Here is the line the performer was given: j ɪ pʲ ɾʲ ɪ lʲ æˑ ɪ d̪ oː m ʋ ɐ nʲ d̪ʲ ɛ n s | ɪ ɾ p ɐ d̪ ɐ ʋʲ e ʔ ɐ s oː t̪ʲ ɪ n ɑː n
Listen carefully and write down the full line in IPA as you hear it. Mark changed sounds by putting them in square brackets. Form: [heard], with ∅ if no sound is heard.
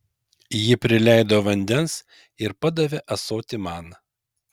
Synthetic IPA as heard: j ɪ pʲ ɾʲ ɪ lʲ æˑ ɪ d̪ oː [∅] ʋ ɐ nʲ d̪ʲ ɛ n s | ɪ ɾ p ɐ d̪ ɐ ʋʲ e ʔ ɐ s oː t̪ʲ ɪ [m] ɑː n